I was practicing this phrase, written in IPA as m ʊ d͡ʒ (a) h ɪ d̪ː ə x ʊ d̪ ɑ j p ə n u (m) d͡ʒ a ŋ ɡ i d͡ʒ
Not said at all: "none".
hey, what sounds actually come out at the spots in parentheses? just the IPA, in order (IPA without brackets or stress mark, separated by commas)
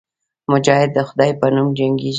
ɑ, m